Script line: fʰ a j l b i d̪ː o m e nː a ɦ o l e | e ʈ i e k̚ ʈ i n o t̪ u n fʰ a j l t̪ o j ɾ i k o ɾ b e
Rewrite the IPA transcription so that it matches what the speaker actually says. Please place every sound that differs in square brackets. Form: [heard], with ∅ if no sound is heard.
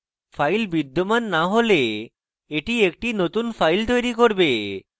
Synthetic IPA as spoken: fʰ a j l b i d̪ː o m [a] nː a ɦ o l e | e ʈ i e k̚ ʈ i n o t̪ u n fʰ a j l t̪ o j ɾ i k o ɾ b e